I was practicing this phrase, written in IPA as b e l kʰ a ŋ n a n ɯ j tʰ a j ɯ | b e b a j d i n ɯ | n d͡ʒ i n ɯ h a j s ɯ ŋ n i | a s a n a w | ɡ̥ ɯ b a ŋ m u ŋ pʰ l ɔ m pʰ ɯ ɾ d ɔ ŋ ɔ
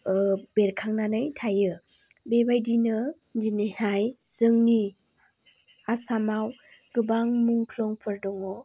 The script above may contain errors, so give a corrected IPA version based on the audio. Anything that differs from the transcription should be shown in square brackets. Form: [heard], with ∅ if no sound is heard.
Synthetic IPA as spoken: b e [ɾ] kʰ a ŋ n a n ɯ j tʰ a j ɯ | b e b a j d i n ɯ | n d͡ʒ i n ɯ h a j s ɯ ŋ n i | a s a [m] a w | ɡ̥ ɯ b a ŋ m u ŋ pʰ l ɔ [ŋ] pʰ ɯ ɾ d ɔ ŋ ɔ